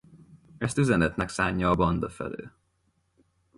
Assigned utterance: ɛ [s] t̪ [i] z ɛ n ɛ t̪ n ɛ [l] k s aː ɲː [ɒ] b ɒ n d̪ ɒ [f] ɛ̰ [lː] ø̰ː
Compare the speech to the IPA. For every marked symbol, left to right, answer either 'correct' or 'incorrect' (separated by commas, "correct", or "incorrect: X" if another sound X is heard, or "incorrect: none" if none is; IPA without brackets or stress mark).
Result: correct, incorrect: y, incorrect: none, incorrect: ɒː, correct, incorrect: l